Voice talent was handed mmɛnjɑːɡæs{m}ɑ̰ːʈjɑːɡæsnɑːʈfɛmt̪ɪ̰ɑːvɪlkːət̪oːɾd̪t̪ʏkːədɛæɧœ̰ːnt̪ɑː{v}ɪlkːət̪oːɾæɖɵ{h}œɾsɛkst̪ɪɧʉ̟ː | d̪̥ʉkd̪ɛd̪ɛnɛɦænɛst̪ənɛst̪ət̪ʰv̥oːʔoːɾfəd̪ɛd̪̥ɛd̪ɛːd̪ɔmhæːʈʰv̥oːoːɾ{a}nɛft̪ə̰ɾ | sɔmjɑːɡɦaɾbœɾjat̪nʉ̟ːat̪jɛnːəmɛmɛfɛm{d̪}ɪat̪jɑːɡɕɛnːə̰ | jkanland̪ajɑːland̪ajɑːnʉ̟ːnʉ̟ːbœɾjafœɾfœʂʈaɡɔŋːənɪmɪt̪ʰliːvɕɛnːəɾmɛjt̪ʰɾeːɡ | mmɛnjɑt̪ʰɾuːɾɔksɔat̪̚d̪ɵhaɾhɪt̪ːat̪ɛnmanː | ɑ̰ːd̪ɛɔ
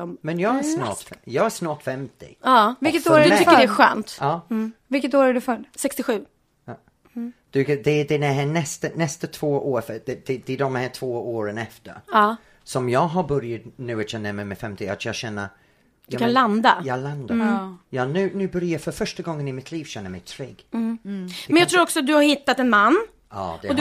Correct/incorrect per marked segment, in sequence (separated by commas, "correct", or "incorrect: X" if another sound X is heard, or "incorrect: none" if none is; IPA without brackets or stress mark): incorrect: n, correct, incorrect: f, incorrect: ə, incorrect: t̪